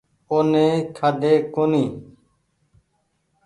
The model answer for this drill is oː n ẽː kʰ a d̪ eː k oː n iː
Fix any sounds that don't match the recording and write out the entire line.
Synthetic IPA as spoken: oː n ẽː kʰ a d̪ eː k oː n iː